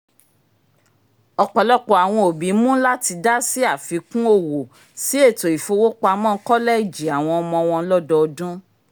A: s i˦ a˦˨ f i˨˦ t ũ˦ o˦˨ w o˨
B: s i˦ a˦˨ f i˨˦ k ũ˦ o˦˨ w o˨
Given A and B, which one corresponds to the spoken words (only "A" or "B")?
B